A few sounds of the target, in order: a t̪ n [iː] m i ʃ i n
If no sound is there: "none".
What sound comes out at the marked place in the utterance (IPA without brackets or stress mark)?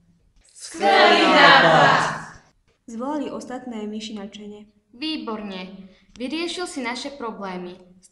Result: ɛː